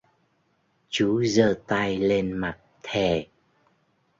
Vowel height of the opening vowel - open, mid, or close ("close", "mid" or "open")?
close